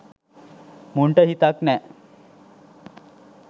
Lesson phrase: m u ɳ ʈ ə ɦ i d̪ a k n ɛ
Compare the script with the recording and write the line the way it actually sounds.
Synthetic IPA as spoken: m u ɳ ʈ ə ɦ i t̪ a k n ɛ